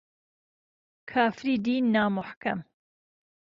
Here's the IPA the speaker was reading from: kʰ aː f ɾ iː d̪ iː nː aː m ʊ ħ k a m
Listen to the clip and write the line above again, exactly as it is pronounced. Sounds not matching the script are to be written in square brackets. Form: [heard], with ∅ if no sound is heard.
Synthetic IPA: kʰ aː f ɾ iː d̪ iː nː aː m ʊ ħ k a m